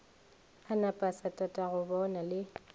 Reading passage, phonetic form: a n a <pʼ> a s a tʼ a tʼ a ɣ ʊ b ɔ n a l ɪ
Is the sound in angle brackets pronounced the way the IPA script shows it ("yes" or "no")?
yes